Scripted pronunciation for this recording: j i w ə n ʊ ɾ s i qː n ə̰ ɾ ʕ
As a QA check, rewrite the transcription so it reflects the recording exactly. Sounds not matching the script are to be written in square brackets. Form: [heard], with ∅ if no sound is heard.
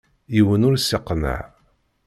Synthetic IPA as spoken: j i w ə n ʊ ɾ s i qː n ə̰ [∅] ʕ